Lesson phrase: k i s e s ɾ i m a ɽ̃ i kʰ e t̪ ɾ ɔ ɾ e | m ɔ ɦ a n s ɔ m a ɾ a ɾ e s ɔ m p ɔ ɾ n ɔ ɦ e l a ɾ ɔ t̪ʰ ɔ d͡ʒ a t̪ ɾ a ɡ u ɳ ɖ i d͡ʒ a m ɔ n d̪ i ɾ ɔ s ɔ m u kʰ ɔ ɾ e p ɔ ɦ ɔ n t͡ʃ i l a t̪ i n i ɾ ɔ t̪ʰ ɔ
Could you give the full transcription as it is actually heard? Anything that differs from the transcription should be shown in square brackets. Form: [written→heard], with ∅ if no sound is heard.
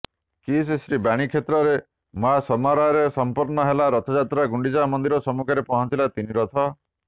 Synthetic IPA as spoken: k i s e s ɾ i [m→b] a ɽ̃ i kʰ e t̪ ɾ ɔ ɾ e | m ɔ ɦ a [n→∅] s ɔ m a ɾ a ɾ e s ɔ m p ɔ ɾ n ɔ ɦ e l a ɾ ɔ t̪ʰ ɔ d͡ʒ a t̪ ɾ a ɡ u ɳ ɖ i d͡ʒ a m ɔ n d̪ i ɾ ɔ s ɔ m u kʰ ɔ ɾ e p ɔ ɦ ɔ n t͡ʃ i l a t̪ i n i ɾ ɔ t̪ʰ ɔ